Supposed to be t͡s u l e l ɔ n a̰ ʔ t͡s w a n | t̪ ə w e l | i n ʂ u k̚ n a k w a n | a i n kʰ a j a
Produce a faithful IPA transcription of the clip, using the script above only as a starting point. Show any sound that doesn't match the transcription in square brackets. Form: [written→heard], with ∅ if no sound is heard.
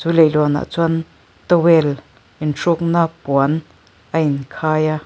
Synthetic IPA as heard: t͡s u l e l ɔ n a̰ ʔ t͡s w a n | t̪ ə w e l | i n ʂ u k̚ n a [k→p] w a n | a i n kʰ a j a

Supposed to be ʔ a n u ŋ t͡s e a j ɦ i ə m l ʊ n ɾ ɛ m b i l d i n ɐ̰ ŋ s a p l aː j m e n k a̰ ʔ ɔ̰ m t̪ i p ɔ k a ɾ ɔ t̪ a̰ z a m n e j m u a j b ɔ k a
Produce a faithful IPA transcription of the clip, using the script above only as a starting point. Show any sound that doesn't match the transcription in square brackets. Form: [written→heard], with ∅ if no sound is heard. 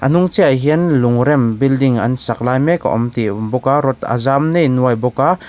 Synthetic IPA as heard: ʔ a n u ŋ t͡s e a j ɦ i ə [m→n] l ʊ [n→ŋ] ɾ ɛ m b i l d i [n→ŋ] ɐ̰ [ŋ→n] s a [p→k] l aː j m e [n→∅] k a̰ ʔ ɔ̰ m t̪ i [p→b] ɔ k a ɾ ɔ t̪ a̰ z a m n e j [m→n] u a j b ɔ k a

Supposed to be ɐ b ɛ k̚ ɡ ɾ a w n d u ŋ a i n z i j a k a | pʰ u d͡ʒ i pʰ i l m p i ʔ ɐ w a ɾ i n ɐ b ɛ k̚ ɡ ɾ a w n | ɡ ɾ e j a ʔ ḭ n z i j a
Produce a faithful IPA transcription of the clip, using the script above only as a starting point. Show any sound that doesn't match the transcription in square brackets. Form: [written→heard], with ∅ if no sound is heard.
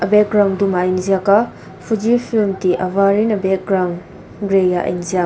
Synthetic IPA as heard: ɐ b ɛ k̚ ɡ ɾ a w n d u [ŋ→m] a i n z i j a k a | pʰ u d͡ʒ i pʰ i l m [p→t] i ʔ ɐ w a ɾ i n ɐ b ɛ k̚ ɡ ɾ a w n | ɡ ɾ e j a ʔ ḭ n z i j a

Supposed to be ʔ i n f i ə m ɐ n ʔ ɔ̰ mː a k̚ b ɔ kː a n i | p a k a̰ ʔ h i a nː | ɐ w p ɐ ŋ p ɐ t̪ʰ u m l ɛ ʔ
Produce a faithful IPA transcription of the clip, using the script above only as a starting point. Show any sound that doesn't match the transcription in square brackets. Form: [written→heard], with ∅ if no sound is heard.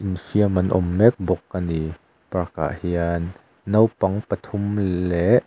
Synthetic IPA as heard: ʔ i n f i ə m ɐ n ʔ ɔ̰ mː [a→ɛ] k̚ b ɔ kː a n i | p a k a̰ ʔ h i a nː | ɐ w p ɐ ŋ p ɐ t̪ʰ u m l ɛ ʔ

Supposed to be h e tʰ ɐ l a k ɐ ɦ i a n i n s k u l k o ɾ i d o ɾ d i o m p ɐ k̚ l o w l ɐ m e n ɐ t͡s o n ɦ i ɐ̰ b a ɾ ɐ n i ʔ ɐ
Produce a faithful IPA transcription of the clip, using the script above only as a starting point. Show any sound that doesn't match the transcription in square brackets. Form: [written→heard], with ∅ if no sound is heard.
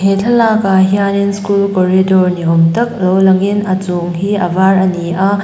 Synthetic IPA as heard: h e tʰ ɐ l a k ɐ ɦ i a n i n s k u l k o ɾ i d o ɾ [d→n] i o m [p→t] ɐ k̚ l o w l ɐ [m→ŋ] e n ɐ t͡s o [n→ŋ] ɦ i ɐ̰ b a ɾ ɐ n i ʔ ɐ

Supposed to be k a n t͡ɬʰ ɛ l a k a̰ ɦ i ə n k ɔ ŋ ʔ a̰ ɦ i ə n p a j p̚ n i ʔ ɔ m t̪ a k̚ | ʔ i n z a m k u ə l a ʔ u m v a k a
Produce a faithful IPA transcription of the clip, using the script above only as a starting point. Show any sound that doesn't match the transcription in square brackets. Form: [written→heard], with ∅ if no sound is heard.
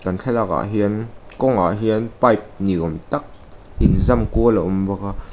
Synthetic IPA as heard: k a n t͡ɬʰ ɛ l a k a̰ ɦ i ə n k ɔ ŋ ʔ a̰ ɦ i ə n p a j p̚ n i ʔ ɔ m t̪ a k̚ | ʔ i n z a m k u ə l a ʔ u m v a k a

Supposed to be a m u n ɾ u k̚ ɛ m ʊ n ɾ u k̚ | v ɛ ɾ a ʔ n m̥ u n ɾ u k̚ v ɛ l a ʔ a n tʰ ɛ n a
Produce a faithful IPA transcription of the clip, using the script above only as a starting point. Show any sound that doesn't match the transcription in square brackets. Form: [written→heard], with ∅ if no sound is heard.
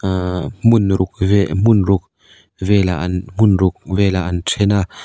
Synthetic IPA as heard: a m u n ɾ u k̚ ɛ m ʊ n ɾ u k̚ | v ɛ [ɾ→l] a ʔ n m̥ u n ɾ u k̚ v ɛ l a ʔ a n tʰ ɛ n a

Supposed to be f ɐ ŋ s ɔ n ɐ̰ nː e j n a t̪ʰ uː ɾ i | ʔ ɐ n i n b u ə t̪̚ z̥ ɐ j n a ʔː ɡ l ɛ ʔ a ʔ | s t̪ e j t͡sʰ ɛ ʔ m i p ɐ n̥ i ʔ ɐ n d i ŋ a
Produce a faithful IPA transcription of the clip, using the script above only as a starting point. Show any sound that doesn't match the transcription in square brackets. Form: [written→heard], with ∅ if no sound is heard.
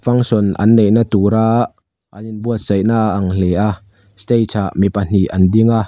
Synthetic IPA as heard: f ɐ ŋ s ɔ n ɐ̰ nː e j n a [t̪ʰ→t̪] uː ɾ [i→a] | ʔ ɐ n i n b u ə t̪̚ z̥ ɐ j n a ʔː [ɡ→ŋ] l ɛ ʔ a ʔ | s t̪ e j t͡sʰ [ɛ→a] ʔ m i p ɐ n̥ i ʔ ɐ n d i ŋ a

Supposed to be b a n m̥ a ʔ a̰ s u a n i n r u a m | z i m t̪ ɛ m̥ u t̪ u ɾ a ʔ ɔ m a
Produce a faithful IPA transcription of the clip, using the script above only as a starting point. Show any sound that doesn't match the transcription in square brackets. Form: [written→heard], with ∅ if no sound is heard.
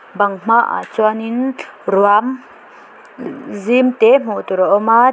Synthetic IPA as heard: b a [n→ŋ] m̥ a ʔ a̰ [s→t͡s] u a n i n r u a m | z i m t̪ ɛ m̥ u t̪ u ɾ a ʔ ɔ m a

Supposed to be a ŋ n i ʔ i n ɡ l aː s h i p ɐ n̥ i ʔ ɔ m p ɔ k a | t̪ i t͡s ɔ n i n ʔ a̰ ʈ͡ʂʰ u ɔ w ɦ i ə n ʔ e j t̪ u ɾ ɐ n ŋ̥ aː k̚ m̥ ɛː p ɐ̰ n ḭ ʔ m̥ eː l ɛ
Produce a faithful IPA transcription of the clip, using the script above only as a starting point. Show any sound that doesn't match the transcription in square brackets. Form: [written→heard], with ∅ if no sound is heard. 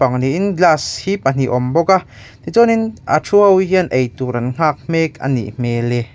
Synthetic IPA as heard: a ŋ n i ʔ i n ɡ l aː s h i p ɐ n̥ i ʔ ɔ m [p→b] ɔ k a | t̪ i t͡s ɔ n i n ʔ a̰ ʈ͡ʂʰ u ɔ w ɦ i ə n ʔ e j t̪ u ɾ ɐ n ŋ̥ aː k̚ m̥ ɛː [p→k] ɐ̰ n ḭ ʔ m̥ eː l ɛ

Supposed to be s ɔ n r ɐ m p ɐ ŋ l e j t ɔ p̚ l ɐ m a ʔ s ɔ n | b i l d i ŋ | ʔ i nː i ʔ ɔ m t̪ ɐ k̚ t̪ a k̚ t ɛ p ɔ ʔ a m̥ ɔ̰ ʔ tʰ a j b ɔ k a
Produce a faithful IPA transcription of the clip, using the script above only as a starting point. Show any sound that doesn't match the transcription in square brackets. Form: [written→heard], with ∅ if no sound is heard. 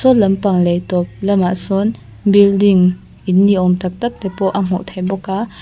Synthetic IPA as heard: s ɔ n [r→l] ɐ m p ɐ ŋ l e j t ɔ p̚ l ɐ m a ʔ s ɔ n | b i l d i ŋ | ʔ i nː i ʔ ɔ m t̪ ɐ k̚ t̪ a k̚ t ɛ p ɔ ʔ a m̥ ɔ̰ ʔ tʰ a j b ɔ k a

